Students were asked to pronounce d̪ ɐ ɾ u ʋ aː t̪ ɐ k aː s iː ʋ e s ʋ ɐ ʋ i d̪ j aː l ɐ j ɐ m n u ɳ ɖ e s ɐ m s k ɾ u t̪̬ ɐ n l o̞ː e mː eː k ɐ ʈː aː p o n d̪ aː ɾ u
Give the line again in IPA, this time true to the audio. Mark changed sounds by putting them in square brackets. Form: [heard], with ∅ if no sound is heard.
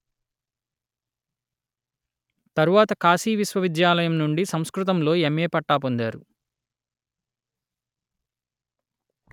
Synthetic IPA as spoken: [t̪] ɐ ɾ u ʋ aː t̪ ɐ k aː s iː ʋ [i] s ʋ ɐ ʋ i d̪ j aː l ɐ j ɐ m n u ɳ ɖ [i] s ɐ m s k ɾ u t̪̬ ɐ [m] l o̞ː e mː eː [p] ɐ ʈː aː p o n d̪ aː ɾ u

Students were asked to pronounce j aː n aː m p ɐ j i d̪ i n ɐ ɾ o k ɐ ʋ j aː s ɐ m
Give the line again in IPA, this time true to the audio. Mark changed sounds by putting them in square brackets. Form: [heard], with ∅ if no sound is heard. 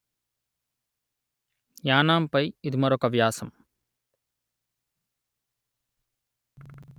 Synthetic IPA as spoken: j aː n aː m p ɐ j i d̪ i [m] ɐ ɾ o k ɐ ʋ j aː s ɐ m

